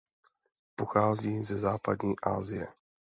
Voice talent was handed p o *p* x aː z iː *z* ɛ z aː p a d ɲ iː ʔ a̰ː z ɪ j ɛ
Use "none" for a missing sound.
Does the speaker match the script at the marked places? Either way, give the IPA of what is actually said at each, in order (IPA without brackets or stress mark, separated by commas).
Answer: none, z